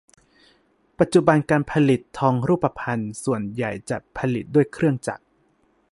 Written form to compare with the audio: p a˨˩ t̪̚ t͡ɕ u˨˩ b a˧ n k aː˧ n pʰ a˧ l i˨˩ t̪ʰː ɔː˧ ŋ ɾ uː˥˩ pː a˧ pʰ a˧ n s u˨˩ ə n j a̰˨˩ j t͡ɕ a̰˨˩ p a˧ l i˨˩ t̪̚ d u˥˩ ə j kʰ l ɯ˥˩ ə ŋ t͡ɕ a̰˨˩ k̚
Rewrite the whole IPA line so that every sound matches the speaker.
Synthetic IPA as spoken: p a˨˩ t̪̚ t͡ɕ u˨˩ b a˧ n k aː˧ n pʰ a˧ l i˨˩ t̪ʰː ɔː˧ ŋ ɾ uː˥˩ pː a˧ pʰ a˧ n s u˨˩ ə n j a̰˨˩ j t͡ɕ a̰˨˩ pʰ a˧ l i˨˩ t̪̚ d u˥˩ ə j kʰ ɾ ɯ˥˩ ə ŋ t͡ɕ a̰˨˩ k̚

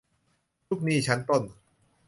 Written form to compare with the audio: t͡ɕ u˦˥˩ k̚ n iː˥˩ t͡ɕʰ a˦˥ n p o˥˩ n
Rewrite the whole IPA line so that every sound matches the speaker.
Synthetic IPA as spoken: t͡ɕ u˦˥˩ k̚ n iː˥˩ t͡ɕʰ a˦˥ n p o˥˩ n

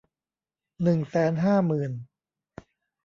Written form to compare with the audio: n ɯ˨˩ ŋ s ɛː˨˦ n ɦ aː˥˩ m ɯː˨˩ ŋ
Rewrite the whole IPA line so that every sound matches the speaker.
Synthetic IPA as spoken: n ɯ˨˩ ŋ s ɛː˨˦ n ɦ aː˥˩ m ɯː˨˩ n

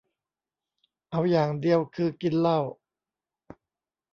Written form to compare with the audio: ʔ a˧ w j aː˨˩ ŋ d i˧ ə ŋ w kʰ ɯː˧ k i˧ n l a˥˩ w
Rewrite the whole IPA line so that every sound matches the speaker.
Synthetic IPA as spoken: ʔ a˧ w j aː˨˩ ŋ d i˧ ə w kʰ ɯː˧ k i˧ n l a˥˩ w

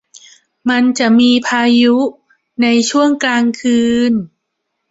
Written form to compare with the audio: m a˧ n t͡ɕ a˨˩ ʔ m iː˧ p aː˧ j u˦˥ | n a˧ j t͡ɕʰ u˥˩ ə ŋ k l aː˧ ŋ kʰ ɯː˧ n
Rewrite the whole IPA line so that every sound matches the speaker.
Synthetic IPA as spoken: m a˧ n t͡ɕ a˨˩ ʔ m iː˧ pʰ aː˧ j u˦˥ | n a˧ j t͡ɕʰ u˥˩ ə ŋ k l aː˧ ŋ kʰ ɯː˧ n

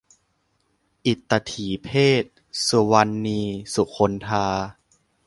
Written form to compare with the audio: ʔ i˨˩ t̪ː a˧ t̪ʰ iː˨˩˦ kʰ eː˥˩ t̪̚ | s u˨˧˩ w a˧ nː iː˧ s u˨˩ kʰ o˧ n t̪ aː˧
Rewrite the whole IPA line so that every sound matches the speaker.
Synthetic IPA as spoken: ʔ i˨˩ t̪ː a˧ t̪ʰ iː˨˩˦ pʰ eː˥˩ t̪̚ | s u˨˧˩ w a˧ nː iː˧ s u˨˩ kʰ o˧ n t̪ʰ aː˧

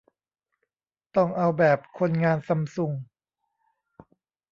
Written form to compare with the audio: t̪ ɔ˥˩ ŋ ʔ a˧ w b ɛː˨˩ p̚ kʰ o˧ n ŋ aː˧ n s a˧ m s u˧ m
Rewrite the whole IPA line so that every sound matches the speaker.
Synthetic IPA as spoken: t̪ ɔ˥˩ ŋ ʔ a˧ w b ɛː˨˩ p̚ kʰ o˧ n ŋ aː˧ n s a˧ m s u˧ ŋ

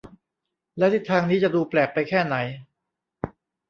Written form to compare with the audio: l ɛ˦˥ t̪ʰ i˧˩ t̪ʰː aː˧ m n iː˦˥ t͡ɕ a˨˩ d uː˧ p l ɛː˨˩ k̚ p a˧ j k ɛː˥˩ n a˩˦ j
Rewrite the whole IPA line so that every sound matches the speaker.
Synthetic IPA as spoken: l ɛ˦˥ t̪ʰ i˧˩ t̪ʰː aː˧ ŋ n iː˦˥ t͡ɕ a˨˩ d uː˧ p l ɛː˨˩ k̚ p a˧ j kʰ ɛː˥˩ n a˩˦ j

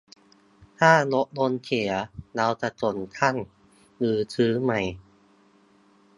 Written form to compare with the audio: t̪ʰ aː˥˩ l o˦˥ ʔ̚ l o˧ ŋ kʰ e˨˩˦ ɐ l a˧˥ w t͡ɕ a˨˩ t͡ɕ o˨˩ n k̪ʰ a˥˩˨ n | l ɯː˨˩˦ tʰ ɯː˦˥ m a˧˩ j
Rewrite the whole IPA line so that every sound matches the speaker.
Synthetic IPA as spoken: t̪ʰ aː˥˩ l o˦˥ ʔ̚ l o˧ n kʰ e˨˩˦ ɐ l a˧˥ w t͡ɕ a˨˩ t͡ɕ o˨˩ n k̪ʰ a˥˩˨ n | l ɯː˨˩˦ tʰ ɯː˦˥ m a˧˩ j

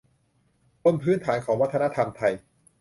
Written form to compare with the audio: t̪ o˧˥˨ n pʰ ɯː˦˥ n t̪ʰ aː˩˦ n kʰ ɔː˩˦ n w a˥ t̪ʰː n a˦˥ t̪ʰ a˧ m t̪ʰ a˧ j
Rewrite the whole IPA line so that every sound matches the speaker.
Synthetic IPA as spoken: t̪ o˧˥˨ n pʰ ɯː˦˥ n t̪ʰ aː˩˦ n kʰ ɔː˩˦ ŋ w a˥ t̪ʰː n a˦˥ t̪ʰ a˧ m t̪ʰ a˧ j

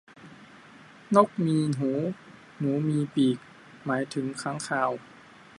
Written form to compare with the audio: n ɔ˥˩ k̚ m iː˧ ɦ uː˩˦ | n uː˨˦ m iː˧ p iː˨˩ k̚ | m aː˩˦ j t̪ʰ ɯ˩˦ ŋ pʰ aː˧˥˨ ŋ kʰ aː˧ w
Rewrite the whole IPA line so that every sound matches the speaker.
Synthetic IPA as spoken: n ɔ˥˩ k̚ m iː˧ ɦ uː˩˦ | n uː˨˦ m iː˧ p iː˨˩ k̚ | m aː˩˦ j t̪ʰ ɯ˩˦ ŋ kʰ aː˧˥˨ ŋ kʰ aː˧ w

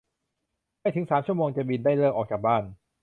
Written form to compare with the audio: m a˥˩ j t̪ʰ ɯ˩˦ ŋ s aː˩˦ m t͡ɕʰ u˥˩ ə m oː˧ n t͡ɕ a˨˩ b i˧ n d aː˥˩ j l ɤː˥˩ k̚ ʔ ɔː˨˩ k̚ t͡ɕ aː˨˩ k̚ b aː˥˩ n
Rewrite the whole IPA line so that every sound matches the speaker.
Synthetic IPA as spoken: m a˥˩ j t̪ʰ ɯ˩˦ ŋ s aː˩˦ m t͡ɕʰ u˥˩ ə m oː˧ ŋ t͡ɕ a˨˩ b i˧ n d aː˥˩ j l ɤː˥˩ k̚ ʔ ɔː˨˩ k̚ t͡ɕ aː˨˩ k̚ b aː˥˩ n

